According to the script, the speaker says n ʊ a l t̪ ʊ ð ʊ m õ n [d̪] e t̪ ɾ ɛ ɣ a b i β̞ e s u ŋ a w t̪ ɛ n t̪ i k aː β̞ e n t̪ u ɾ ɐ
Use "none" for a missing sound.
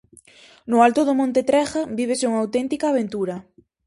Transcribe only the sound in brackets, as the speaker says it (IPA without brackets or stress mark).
t̪